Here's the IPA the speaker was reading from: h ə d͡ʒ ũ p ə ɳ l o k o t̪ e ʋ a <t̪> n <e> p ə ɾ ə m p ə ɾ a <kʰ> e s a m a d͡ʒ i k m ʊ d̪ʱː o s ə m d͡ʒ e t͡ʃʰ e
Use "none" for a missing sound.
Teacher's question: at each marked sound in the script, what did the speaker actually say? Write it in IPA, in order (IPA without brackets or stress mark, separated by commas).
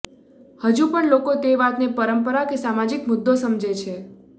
t̪, e, k